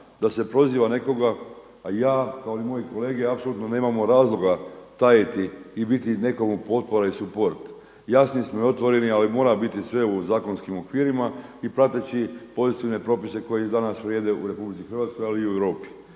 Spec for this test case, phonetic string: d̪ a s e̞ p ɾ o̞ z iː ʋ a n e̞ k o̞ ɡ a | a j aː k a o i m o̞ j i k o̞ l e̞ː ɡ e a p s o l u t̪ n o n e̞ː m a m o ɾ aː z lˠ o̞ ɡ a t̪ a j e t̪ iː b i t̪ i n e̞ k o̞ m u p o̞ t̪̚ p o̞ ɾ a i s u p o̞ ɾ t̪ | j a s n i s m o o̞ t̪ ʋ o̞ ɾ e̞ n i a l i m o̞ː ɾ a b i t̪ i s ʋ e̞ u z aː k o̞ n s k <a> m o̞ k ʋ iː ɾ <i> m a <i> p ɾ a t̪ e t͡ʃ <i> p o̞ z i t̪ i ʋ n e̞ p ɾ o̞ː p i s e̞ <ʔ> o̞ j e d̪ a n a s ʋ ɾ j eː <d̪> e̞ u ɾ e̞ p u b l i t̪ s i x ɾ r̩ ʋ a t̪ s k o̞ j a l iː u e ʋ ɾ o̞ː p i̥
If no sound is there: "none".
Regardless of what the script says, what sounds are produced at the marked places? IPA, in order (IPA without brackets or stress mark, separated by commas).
i, i, i, i, k, d̪